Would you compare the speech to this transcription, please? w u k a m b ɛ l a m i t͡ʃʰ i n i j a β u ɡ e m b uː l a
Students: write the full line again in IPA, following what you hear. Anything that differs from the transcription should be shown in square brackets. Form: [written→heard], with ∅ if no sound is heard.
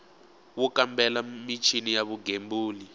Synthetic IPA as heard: w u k a m b ɛ l a m i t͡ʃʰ i n i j a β u ɡ e m b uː l [a→i]